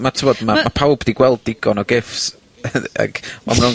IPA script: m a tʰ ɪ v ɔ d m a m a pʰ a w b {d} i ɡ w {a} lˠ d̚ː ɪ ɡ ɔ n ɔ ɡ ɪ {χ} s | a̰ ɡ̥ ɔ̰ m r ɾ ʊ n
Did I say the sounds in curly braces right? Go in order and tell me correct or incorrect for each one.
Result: correct, incorrect, incorrect

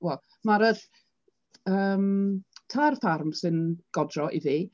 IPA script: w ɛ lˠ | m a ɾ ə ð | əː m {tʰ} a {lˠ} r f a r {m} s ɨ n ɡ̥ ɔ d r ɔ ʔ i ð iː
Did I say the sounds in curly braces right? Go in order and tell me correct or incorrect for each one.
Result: correct, incorrect, correct

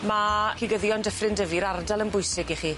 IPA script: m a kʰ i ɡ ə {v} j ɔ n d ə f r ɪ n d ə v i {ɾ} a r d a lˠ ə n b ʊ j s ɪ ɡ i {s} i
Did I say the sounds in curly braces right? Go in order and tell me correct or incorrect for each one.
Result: incorrect, correct, incorrect

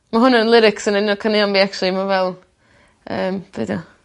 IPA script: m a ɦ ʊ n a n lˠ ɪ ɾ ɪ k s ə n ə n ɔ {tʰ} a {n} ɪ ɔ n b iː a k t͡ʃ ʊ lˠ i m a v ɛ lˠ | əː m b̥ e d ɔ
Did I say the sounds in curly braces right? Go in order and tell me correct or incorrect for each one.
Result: incorrect, correct

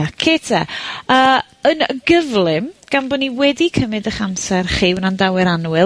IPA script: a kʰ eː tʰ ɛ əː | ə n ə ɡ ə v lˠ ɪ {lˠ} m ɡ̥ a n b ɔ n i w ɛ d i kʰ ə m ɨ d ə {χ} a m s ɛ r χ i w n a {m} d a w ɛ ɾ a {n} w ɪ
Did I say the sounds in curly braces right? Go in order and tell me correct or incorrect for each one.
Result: incorrect, correct, incorrect, correct

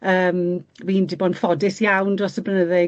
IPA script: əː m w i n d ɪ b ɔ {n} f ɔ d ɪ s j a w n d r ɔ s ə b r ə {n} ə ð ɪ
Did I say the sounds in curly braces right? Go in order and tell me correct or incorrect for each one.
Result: correct, correct

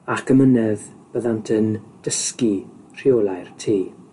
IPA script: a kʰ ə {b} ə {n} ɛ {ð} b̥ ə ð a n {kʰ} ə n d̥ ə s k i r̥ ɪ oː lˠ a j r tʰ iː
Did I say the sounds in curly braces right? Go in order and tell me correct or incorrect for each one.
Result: incorrect, correct, correct, incorrect

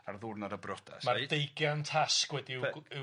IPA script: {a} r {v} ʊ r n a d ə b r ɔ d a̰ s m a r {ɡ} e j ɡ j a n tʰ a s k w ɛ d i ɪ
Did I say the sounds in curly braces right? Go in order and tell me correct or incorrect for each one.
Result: correct, incorrect, incorrect

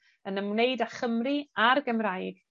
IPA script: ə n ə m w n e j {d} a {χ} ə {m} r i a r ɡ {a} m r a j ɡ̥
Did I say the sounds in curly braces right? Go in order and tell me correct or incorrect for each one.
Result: correct, correct, correct, incorrect

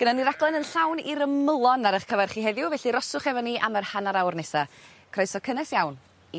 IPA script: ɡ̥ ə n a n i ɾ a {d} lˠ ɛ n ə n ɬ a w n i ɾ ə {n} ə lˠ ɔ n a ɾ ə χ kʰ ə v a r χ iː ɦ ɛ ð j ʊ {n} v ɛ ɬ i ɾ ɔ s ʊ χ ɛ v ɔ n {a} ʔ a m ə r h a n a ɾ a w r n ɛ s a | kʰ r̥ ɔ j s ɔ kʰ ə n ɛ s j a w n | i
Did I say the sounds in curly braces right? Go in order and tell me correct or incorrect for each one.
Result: incorrect, incorrect, incorrect, incorrect

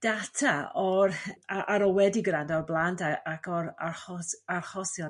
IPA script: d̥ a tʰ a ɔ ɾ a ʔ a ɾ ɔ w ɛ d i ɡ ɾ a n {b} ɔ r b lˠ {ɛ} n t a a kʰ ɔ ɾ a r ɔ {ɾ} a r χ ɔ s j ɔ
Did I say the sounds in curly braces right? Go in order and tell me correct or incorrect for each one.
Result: incorrect, incorrect, incorrect

